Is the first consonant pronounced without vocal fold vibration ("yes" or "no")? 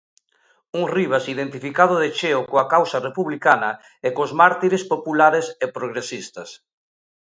no